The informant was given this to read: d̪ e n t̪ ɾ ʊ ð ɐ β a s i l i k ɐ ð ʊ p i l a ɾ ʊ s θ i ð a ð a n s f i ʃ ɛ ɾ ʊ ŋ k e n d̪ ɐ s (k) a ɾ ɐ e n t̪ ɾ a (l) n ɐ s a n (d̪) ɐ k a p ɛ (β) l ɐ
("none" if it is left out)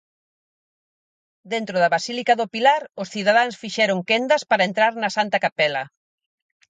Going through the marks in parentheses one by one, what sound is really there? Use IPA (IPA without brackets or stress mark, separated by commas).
p, ɾ, t̪, none